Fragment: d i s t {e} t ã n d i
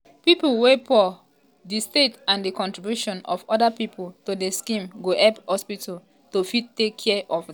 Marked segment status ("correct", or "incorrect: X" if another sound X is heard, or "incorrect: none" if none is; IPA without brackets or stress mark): correct